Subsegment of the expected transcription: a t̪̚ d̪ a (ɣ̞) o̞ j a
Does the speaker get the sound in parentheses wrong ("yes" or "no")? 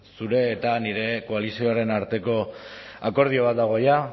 no